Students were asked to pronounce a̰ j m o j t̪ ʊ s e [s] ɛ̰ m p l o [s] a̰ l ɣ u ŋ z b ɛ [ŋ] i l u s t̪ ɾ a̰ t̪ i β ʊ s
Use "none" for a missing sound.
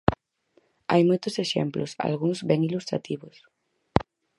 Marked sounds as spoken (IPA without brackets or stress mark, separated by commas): ʃ, s, ŋ